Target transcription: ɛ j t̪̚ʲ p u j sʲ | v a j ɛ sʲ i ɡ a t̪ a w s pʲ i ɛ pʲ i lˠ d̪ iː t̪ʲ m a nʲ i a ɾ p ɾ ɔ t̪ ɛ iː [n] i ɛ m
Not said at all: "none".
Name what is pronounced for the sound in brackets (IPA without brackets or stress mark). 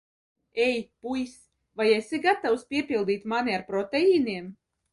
n